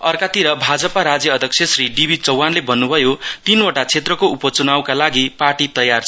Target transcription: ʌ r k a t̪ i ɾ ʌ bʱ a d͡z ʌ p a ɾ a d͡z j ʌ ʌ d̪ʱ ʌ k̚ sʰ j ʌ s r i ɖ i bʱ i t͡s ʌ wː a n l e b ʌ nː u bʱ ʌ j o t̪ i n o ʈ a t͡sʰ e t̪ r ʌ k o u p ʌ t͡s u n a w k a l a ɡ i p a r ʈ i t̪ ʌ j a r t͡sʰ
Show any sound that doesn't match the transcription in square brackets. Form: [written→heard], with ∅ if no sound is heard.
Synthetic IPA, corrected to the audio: ʌ r k a t̪ i ɾ ʌ bʱ a d͡z ʌ p a ɾ a d͡z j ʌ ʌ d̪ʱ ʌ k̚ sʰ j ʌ s r i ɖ i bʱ i t͡s ʌ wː a n l e b ʌ nː u bʱ ʌ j o t̪ i n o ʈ a t͡sʰ e t̪ r ʌ k o u p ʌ t͡s u n a w k a l a ɡ i p a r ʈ i t̪ ʌ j a r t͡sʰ

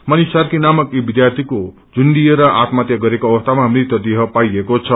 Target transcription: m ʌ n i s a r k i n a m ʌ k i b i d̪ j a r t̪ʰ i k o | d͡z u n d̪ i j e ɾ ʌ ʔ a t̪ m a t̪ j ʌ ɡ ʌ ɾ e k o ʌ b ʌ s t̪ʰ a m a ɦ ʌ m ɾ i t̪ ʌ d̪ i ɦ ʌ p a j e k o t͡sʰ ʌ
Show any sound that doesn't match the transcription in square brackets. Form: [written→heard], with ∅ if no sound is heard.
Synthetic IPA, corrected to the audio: m ʌ n i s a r k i n a m ʌ k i b i d̪ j a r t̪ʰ i k o | d͡z u n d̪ i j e ɾ ʌ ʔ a t̪ m a t̪ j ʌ ɡ ʌ ɾ e k o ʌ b ʌ s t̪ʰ a m a ɦ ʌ m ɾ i t̪ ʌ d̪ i ɦ ʌ p a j e k o t͡sʰ ʌ

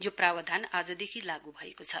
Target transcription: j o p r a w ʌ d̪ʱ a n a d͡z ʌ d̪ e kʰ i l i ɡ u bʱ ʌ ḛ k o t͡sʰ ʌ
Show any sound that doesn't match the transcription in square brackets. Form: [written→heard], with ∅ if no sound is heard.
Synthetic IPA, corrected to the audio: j o p r a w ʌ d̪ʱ a n a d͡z ʌ d̪ e kʰ i l [i→a] ɡ u bʱ ʌ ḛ k o t͡sʰ ʌ

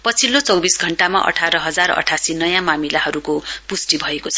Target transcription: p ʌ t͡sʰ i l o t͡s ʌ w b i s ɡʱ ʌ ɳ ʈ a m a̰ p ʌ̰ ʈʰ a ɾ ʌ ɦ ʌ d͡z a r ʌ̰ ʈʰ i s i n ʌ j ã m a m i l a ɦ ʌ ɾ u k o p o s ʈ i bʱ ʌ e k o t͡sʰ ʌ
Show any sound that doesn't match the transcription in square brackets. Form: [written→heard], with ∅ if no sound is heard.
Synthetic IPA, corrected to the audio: p ʌ t͡sʰ i l o t͡s ʌ w b i s ɡʱ ʌ ɳ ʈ a m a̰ [p→ʔ] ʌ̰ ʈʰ a ɾ ʌ ɦ ʌ d͡z a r ʌ̰ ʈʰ [i→a] s i n ʌ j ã m a m i l a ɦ ʌ ɾ u k o p [o→u] s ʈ i bʱ ʌ e k o t͡sʰ ʌ

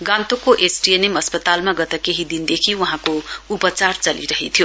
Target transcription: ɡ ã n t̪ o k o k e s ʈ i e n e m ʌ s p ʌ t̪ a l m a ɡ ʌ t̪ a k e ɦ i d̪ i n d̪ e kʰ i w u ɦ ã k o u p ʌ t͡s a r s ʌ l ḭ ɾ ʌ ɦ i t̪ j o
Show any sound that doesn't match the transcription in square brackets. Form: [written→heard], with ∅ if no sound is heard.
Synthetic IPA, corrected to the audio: ɡ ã n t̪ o k o [k→ʔ] e s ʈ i e n e m ʌ s p ʌ t̪ a l m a ɡ ʌ t̪ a k e ɦ i d̪ i n d̪ e kʰ i w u ɦ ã k o u p ʌ t͡s a r [s→t͡s] ʌ l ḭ ɾ ʌ ɦ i [t̪→t̪ʰ] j o

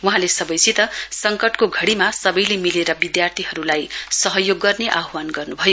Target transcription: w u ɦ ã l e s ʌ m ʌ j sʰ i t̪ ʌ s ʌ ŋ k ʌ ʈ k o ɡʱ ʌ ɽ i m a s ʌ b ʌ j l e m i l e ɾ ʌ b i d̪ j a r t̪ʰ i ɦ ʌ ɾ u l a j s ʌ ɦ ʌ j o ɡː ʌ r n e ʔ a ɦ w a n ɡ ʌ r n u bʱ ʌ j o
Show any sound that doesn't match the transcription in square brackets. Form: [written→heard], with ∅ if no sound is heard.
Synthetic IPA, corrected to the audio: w u ɦ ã l e s ʌ [m→b] ʌ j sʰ i t̪ ʌ s ʌ ŋ k ʌ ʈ k o ɡʱ ʌ ɽ i m a s ʌ b ʌ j l e m i l e ɾ ʌ b i d̪ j a r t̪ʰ i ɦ ʌ ɾ u l a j s ʌ ɦ ʌ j o ɡː ʌ r n e ʔ a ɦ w a n ɡ ʌ r n u bʱ ʌ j o

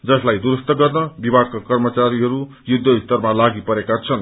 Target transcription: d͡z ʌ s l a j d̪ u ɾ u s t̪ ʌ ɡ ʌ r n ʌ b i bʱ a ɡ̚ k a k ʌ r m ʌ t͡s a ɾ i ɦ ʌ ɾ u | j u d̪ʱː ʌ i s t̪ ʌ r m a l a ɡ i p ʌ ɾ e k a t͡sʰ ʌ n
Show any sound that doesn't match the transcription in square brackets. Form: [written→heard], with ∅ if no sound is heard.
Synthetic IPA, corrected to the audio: d͡z ʌ s l a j d̪ u ɾ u s t̪ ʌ ɡ ʌ r n ʌ b i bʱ a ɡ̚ k a k ʌ r m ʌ t͡s a ɾ i ɦ ʌ ɾ u | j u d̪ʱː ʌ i s t̪ ʌ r m a l a ɡ i p ʌ ɾ e k a t͡sʰ ʌ n

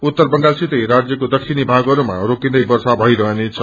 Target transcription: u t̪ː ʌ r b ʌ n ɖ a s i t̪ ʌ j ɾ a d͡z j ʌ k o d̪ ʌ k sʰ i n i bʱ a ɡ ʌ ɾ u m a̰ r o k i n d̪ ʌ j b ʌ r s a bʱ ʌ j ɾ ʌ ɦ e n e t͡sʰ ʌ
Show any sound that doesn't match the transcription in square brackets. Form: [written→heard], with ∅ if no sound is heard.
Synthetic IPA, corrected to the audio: u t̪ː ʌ r b ʌ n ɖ a s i t̪ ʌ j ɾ a d͡z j ʌ k o d̪ ʌ k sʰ i n i bʱ a ɡ ʌ ɾ u m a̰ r o k i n d̪ ʌ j b ʌ r s a bʱ ʌ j ɾ ʌ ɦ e n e t͡sʰ ʌ

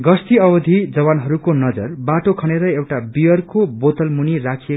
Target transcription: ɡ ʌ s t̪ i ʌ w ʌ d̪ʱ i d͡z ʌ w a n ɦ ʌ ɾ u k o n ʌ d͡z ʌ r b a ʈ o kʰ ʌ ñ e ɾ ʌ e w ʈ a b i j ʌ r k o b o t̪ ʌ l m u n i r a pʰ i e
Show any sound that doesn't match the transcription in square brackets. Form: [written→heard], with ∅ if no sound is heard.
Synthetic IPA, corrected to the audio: ɡ ʌ s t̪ i ʌ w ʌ d̪ʱ i d͡z ʌ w a n ɦ ʌ ɾ u k o n ʌ d͡z ʌ r b a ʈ o kʰ ʌ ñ e ɾ ʌ e w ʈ a b i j ʌ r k o b o t̪ ʌ l m u n i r a [pʰ→kʰ] i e

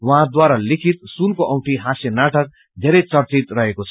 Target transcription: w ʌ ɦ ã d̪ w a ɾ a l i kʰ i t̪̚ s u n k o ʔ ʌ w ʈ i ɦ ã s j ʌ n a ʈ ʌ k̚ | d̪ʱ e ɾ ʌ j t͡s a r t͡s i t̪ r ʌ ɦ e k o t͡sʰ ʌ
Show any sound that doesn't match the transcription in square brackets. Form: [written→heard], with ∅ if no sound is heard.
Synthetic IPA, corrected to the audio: w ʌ ɦ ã d̪ w a ɾ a l i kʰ i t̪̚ s u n k o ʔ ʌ w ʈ i ɦ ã s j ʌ n a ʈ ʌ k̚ | d̪ʱ e ɾ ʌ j t͡s [a→ʌ] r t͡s i t̪ r ʌ ɦ e k o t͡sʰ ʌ

